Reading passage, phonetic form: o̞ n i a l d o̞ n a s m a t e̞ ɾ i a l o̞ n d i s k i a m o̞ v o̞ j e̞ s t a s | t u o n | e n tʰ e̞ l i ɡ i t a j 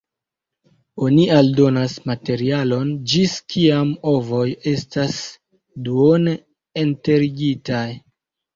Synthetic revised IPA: o̞ n i a l d o̞ n a s m a t e̞ ɾ i a l o̞ n d͡ʒ i s k i a m o̞ v o̞ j e̞ s t a s | d u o n | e n t e̞ ɾ i ɡ i t a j